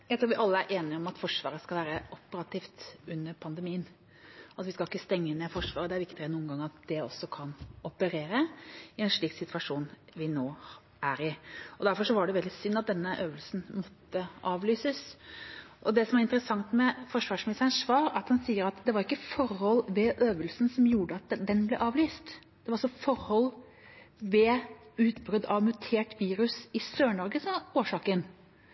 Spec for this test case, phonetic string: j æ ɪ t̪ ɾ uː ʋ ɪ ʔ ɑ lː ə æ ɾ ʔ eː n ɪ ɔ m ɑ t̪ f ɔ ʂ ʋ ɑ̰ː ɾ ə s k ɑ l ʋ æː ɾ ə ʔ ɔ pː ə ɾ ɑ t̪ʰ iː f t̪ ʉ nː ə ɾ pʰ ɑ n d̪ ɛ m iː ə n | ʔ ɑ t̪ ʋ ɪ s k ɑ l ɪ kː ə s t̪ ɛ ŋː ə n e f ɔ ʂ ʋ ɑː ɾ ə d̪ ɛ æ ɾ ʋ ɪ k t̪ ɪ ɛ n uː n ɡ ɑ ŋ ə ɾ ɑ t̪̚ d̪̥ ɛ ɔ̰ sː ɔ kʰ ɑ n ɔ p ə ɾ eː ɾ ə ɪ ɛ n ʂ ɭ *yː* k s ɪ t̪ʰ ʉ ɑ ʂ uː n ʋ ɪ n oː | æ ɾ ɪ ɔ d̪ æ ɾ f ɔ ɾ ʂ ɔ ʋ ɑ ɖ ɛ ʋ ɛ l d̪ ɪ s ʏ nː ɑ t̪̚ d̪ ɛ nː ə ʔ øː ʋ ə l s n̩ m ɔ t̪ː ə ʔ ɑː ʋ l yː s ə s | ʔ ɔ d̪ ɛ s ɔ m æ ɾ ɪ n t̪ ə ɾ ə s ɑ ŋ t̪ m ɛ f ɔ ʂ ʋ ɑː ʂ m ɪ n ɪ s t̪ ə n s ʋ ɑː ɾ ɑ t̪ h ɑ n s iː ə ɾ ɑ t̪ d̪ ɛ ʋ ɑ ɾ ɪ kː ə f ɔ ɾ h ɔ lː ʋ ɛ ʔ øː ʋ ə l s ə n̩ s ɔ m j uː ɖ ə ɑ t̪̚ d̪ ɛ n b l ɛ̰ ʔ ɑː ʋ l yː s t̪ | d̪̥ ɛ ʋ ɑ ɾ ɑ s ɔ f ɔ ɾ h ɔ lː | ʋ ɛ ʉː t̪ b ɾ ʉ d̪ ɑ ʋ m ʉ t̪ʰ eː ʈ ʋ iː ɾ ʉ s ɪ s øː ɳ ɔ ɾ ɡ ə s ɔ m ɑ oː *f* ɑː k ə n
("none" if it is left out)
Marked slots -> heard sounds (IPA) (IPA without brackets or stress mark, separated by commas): iː, ʂ